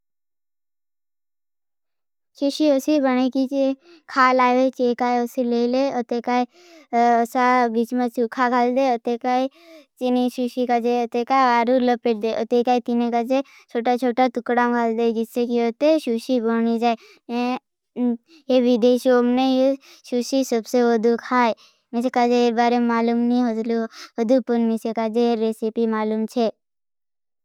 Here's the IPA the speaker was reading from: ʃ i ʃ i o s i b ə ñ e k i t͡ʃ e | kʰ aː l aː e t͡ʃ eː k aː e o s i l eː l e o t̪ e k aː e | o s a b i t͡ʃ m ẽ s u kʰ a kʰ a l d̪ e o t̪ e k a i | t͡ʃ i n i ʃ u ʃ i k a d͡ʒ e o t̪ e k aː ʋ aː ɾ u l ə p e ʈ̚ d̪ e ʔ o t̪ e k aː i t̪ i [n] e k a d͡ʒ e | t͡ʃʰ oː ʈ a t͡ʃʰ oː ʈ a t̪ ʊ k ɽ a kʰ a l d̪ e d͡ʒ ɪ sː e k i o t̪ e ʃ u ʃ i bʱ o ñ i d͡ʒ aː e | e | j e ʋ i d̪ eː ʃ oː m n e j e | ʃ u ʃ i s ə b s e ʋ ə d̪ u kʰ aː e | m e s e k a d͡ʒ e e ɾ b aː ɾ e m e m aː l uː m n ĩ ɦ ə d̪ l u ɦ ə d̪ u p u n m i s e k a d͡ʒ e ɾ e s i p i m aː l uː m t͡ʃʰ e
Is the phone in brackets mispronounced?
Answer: no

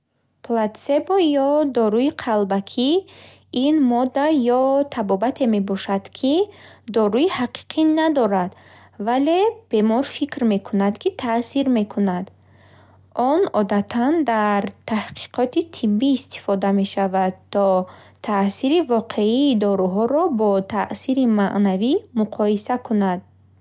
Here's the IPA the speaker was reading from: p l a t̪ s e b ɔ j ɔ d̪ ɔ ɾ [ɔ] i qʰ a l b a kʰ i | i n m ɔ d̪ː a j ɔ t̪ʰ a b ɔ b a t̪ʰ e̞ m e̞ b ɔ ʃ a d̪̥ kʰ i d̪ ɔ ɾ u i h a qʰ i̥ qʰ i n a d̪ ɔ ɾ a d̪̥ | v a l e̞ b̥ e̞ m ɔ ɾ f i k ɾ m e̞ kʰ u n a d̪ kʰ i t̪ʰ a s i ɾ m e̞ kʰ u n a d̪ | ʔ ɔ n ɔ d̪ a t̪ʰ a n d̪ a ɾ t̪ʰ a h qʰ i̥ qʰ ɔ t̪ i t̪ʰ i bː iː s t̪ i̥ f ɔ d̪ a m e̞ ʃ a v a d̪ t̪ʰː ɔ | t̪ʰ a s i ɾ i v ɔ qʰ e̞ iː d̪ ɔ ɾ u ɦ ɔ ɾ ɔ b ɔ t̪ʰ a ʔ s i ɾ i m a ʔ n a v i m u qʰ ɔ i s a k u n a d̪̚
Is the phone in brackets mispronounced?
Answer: yes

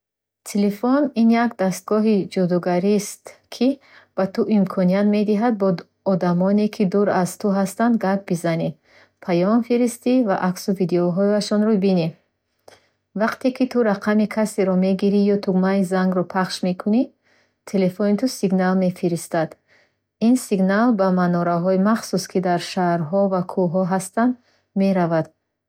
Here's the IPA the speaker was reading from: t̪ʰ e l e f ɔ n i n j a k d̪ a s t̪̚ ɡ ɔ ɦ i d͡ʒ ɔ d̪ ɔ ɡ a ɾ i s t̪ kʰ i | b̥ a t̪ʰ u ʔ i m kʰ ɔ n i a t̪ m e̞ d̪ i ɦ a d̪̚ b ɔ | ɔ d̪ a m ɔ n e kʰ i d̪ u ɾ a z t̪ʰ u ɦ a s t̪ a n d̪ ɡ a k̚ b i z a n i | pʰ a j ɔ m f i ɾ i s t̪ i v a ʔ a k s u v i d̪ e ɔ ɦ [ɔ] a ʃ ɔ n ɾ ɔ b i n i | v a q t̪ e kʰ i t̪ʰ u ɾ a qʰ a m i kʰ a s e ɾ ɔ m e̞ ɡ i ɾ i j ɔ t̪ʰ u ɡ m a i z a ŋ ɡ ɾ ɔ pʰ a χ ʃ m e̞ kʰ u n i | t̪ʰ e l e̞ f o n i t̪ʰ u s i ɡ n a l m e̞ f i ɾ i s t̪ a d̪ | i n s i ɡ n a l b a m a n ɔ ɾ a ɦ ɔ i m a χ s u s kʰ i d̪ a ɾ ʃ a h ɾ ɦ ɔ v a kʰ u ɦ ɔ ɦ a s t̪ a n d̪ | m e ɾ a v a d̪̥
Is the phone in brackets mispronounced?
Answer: no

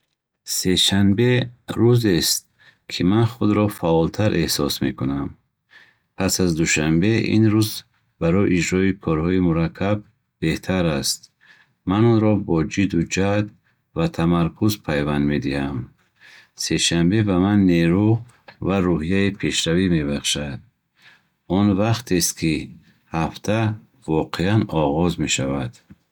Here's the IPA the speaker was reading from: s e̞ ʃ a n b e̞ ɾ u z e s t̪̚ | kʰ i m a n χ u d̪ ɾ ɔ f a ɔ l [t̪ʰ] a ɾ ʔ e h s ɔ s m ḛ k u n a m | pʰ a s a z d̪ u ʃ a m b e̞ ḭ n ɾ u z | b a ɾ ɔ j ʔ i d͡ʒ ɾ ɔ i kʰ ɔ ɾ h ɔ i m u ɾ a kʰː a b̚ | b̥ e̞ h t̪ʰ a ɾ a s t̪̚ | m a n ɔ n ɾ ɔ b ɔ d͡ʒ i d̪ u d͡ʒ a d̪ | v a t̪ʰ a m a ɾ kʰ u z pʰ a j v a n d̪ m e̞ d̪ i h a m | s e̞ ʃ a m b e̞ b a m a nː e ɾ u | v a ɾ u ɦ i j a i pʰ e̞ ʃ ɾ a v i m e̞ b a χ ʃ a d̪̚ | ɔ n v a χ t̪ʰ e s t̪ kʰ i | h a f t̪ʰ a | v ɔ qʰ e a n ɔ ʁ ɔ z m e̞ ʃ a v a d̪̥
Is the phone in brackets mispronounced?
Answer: no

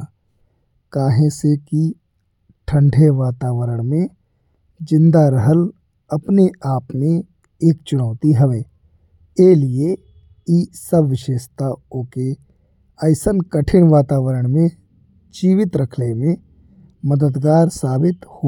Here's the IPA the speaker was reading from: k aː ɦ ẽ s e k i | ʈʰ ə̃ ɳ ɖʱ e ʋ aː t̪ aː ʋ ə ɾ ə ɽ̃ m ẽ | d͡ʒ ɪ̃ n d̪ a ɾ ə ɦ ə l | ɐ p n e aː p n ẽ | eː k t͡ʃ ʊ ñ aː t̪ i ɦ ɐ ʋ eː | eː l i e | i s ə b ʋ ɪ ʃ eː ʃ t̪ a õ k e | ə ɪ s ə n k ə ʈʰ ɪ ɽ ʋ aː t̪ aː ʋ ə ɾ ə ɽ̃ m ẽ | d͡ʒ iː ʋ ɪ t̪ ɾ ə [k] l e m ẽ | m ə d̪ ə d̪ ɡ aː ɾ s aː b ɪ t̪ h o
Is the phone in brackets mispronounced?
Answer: yes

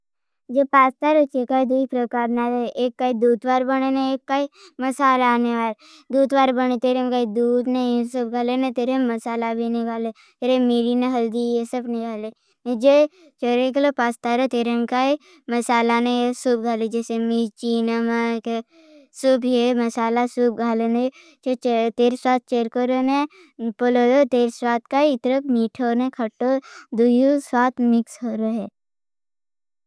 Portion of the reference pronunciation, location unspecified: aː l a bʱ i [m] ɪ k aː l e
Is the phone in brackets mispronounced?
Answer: yes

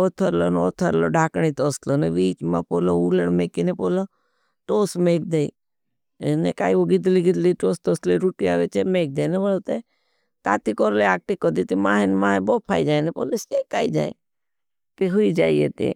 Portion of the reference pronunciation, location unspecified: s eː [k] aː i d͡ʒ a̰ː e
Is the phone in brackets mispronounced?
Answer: no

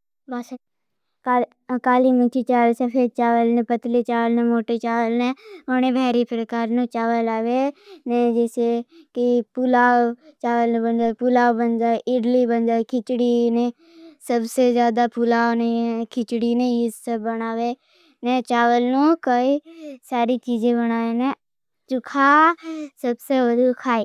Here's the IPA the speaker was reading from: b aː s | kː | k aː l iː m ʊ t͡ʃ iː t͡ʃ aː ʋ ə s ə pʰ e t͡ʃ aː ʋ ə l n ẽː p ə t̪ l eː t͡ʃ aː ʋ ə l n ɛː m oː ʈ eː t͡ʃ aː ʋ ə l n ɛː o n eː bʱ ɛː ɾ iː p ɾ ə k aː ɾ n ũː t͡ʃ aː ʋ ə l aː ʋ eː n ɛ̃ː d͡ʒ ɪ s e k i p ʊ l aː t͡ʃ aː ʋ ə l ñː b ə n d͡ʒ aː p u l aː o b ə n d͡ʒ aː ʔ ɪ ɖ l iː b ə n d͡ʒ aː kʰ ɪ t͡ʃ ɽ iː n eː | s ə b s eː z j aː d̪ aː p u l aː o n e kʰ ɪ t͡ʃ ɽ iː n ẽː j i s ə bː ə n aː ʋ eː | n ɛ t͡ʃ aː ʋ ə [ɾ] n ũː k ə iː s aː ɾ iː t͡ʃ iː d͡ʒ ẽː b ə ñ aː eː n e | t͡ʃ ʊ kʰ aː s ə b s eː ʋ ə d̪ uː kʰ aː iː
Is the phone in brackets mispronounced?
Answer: yes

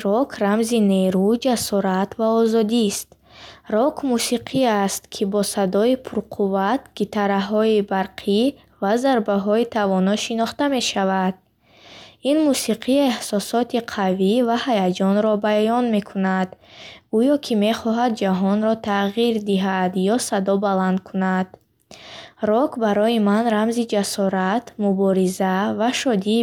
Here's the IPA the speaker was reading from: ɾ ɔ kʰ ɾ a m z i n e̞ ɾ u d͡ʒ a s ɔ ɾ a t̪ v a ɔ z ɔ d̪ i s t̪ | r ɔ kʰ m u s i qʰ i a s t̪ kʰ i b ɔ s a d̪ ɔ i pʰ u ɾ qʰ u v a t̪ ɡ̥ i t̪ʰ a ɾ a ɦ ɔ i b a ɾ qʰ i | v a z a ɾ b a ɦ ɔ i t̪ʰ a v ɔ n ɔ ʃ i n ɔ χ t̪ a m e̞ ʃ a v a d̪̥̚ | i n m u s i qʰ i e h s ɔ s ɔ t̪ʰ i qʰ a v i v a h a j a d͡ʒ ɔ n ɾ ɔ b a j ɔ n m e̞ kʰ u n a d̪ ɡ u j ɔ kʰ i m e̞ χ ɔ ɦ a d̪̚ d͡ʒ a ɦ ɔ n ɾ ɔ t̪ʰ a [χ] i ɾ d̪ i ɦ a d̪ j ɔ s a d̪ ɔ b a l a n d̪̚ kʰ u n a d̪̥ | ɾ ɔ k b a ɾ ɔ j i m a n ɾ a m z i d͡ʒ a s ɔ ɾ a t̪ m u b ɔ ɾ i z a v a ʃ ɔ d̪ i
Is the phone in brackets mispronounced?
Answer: yes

